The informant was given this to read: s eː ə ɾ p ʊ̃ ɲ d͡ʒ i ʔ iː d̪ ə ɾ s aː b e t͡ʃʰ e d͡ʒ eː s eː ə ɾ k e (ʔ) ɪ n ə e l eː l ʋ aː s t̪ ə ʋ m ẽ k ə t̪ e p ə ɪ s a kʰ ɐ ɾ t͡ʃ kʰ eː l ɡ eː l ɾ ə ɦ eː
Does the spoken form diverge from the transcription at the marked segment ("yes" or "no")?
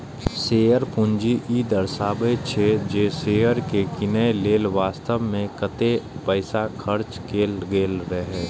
yes